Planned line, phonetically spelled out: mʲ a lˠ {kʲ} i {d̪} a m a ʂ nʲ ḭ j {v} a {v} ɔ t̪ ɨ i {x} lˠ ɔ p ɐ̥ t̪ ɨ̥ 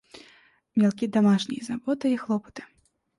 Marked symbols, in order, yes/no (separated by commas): yes, yes, no, no, yes